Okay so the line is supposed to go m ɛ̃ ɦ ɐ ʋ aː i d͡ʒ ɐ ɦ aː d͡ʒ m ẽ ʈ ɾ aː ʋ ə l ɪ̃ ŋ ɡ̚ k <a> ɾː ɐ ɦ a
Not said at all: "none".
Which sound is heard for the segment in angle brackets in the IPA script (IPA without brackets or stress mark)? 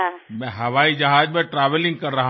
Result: ɐ